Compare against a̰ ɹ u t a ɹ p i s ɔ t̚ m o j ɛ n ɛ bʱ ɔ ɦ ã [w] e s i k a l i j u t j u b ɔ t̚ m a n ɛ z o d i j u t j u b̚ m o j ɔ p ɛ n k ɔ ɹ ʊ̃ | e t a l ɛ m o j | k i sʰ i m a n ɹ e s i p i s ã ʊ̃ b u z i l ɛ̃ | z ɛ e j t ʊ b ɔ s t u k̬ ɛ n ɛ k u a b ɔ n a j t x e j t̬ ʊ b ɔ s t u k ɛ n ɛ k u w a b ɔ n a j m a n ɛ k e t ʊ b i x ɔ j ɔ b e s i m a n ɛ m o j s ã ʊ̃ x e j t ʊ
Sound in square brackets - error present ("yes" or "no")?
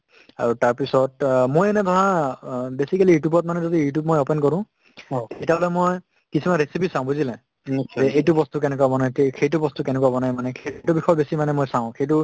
yes